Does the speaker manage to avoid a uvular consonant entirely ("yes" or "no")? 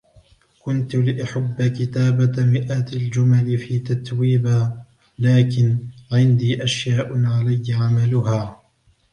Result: yes